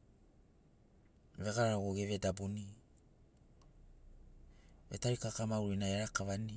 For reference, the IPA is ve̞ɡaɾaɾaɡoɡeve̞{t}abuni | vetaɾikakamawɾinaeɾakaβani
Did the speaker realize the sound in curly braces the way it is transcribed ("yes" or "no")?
no